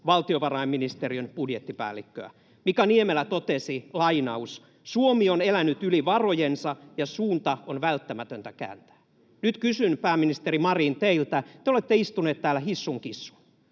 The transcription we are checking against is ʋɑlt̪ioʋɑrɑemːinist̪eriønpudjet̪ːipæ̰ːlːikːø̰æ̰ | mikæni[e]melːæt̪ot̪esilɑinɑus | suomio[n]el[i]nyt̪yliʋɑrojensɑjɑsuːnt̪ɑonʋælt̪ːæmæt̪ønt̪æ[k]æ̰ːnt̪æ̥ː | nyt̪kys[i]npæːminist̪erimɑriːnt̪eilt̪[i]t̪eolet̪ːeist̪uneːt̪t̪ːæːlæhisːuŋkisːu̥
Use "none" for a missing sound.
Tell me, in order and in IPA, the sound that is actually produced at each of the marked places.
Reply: e, n, æ, k, y, æ

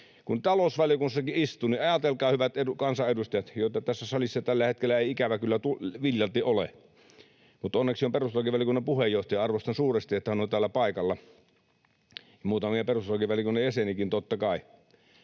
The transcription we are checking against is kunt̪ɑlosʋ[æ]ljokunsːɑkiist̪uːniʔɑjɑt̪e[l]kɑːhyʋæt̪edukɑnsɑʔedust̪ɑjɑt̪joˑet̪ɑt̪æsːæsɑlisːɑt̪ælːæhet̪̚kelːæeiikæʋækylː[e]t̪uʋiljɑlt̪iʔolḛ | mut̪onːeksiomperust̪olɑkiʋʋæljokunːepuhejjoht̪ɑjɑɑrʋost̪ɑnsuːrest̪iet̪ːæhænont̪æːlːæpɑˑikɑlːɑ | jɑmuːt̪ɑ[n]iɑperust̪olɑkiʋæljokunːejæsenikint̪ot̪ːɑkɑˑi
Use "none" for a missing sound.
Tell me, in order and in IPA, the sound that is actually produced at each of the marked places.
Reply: æ, l, æ, m

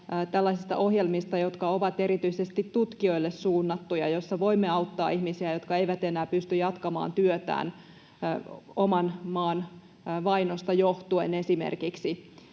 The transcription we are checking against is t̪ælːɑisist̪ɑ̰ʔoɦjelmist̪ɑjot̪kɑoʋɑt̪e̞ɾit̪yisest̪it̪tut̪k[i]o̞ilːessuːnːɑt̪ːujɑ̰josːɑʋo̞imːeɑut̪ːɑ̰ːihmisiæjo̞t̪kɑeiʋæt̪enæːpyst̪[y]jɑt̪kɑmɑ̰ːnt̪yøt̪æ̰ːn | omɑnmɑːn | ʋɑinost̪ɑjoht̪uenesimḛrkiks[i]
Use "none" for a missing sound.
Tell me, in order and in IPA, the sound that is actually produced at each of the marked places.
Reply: i, y, i

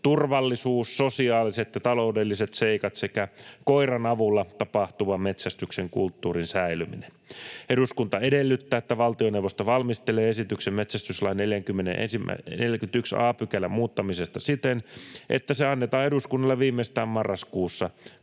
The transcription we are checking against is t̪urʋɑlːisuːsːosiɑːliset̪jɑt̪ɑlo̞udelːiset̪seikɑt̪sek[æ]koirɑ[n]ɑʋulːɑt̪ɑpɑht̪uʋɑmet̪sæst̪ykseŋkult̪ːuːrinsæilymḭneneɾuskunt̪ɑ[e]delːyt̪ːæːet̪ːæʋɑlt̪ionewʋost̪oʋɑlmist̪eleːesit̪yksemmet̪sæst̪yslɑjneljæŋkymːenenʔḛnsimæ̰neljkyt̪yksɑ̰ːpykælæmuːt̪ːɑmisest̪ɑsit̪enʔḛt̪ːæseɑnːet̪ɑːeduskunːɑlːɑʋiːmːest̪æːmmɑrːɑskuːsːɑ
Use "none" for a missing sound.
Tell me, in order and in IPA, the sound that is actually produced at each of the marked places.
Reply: æ, n, e

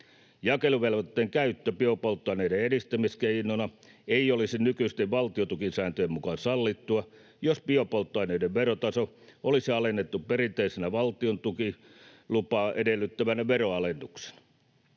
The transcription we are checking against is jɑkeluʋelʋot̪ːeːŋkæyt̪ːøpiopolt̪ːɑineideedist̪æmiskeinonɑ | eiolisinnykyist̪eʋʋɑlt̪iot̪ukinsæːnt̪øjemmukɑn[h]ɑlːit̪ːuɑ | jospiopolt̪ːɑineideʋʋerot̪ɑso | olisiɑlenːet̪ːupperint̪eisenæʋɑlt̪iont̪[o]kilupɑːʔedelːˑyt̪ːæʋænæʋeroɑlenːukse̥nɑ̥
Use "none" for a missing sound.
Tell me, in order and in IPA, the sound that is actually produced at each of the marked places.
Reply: s, u

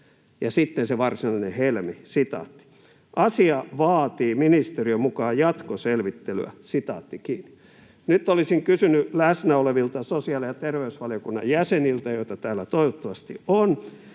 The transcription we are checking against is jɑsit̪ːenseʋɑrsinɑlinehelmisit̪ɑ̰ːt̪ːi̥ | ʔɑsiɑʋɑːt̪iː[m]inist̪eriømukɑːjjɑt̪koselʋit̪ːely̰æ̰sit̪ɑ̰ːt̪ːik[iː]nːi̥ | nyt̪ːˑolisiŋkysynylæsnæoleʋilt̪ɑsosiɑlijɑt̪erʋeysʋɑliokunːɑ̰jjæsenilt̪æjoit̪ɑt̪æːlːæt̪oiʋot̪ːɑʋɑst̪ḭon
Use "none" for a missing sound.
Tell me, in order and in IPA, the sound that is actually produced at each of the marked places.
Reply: m, iː

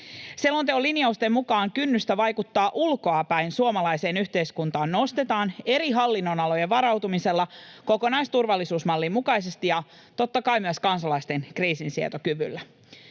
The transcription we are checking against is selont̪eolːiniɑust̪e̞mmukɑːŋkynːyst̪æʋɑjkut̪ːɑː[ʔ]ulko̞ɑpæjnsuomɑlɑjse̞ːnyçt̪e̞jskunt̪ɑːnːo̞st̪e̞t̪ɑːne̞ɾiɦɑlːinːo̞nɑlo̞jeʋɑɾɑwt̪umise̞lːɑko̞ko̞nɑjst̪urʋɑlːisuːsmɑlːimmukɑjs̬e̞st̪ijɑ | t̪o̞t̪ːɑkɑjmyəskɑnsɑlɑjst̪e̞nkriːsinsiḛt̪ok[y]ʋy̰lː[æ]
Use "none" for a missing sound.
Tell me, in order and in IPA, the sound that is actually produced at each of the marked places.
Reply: ʔ, y, æ

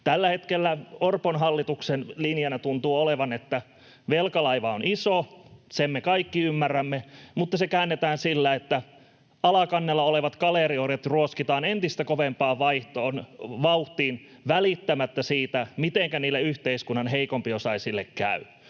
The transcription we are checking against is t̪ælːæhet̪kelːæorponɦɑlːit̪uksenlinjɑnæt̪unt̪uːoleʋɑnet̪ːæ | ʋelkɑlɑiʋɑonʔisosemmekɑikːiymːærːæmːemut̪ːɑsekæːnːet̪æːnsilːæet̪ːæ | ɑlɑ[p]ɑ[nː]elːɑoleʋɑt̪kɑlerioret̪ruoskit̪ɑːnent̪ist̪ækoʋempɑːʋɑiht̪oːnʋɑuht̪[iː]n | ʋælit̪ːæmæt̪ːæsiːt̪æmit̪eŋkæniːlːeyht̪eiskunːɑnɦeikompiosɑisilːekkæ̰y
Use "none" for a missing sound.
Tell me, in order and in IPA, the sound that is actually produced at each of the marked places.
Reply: k, nː, iː

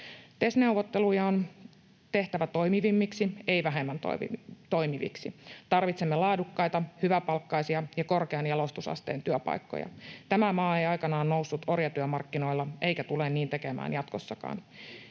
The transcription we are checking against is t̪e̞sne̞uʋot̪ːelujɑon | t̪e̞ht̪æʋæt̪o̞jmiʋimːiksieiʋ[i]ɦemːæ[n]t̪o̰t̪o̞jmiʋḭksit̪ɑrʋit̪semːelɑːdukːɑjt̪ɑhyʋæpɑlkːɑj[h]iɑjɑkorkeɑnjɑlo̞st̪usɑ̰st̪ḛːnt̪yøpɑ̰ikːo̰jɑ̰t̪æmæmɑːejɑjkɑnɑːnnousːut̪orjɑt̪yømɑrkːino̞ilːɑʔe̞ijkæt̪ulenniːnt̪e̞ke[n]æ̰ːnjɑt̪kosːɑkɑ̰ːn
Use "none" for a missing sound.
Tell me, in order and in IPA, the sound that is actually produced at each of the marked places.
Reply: æ, n, s, m

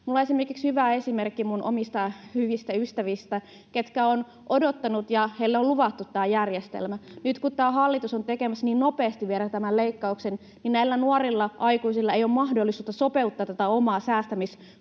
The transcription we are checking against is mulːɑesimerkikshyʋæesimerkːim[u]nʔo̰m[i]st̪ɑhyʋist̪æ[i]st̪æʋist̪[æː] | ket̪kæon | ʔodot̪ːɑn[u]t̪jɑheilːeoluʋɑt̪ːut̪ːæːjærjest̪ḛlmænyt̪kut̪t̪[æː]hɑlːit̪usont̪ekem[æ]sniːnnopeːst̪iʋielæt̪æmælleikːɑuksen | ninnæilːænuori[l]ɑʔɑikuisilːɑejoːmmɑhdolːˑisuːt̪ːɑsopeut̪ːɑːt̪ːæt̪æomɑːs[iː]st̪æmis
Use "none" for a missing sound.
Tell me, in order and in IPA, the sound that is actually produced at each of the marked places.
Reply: u, i, y, æ, u, æː, æ, lː, æː

